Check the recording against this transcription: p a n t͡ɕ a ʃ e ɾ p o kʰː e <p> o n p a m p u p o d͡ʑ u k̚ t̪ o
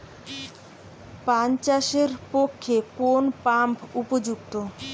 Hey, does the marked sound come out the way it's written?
no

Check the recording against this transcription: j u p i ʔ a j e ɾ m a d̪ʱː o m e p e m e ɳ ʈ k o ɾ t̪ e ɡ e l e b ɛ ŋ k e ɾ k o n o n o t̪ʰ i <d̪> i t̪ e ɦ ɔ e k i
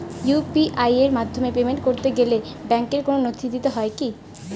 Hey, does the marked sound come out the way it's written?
yes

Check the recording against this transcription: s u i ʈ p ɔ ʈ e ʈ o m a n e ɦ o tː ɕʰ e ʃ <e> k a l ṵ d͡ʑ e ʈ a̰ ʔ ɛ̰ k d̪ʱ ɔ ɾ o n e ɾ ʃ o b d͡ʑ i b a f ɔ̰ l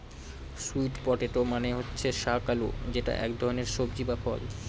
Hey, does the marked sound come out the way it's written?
no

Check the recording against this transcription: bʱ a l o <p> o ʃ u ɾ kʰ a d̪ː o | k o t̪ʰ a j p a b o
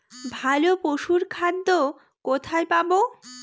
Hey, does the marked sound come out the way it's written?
yes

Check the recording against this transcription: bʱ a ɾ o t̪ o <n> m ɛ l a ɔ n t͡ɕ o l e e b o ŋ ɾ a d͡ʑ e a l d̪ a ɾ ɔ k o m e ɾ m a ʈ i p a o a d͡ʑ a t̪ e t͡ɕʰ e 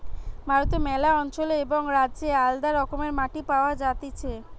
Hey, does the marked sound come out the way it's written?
no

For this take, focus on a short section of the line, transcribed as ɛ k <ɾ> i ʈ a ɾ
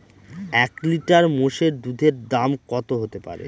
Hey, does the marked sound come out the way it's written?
no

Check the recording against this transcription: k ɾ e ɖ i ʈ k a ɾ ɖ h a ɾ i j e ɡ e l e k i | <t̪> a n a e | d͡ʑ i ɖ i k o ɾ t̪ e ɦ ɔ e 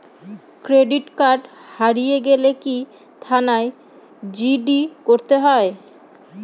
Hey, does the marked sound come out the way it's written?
no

